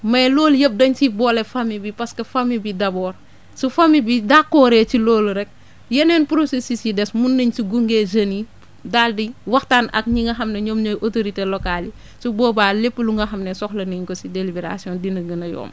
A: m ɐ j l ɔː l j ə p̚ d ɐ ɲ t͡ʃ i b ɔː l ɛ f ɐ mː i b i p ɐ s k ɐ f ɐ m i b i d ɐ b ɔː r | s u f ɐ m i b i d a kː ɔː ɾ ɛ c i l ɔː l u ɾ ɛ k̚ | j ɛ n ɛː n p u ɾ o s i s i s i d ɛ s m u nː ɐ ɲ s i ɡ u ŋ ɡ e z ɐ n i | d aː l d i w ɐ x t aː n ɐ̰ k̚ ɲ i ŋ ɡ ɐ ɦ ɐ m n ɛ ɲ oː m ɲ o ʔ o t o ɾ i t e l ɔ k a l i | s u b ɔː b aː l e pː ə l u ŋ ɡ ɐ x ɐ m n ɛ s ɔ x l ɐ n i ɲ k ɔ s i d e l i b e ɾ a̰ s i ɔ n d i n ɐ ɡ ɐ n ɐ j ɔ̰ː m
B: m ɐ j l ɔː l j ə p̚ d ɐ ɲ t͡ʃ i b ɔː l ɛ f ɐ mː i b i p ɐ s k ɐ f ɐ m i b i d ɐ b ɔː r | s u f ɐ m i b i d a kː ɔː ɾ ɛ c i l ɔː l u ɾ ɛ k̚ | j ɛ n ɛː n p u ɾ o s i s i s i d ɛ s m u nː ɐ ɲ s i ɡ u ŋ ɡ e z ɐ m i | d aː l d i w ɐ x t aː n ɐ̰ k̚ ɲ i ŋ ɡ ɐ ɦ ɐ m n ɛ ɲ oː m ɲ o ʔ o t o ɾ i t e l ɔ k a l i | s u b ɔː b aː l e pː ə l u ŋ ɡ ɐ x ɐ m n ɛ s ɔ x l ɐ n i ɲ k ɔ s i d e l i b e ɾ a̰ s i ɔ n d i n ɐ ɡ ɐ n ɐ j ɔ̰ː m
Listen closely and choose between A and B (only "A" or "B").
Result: A